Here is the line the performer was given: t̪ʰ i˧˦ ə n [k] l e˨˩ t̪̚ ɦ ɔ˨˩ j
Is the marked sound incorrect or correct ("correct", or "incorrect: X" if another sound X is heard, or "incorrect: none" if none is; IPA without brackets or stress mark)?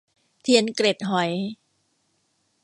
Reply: correct